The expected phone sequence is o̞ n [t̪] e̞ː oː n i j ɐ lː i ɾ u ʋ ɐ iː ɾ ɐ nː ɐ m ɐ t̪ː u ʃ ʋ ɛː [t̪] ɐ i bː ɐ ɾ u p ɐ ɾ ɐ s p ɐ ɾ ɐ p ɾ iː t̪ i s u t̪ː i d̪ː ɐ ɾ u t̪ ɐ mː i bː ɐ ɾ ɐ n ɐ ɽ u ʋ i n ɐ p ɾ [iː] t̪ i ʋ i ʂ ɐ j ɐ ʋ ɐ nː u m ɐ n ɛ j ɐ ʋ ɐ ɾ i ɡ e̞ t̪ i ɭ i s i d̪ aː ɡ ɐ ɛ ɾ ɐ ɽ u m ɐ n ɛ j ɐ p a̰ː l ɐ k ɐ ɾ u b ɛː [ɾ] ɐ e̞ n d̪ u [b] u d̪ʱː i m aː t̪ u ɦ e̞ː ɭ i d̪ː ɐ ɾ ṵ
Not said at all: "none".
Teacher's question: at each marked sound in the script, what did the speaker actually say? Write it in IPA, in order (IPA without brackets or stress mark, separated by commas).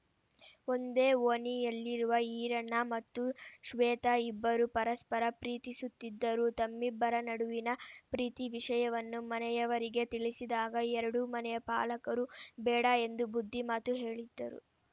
d̪, t̪, iː, ɽ, b